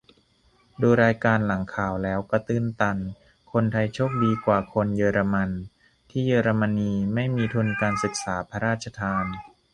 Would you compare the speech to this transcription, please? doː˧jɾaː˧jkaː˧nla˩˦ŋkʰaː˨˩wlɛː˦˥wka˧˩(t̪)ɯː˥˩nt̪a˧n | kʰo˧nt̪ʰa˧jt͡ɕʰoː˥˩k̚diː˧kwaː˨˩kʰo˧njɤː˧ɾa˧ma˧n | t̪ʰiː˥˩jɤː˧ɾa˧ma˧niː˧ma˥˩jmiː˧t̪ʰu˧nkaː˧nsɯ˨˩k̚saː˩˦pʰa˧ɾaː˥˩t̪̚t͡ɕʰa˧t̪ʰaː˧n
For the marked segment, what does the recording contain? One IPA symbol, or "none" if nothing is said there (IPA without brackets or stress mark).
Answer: t̪